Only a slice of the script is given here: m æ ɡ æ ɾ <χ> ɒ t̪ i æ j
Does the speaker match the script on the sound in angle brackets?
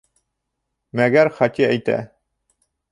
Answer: yes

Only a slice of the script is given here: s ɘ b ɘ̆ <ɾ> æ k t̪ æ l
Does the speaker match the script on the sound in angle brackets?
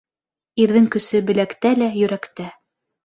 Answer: no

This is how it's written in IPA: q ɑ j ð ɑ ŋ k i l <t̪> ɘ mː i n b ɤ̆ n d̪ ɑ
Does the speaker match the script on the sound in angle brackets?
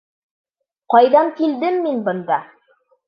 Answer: no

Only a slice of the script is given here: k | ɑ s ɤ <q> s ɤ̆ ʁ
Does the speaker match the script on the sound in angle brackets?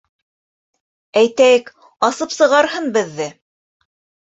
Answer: no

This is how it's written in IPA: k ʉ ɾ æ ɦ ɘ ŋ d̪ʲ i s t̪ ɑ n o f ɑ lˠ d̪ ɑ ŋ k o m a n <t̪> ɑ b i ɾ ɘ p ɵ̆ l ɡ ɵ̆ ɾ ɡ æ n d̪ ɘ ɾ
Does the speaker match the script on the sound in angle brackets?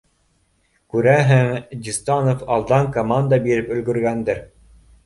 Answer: no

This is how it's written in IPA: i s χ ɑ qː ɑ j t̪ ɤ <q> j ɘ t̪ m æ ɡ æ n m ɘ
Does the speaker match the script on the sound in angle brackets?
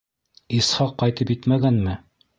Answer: no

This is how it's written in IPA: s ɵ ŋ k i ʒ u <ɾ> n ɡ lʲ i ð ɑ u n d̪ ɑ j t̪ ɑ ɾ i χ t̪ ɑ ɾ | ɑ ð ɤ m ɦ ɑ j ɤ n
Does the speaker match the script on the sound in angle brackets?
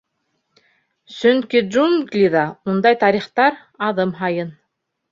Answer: no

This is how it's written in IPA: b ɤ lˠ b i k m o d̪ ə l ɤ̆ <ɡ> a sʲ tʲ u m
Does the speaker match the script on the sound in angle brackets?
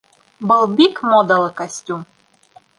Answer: no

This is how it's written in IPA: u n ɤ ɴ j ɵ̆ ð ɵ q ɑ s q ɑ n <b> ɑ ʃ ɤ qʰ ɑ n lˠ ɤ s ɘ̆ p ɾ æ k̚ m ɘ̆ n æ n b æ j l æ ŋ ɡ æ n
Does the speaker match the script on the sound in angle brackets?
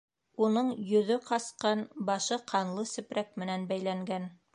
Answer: yes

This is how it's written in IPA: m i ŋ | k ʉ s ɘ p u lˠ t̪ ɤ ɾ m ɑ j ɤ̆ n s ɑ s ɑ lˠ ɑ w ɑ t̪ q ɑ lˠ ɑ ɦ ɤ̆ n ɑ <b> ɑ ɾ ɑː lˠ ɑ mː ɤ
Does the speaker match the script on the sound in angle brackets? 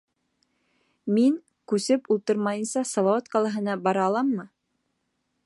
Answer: yes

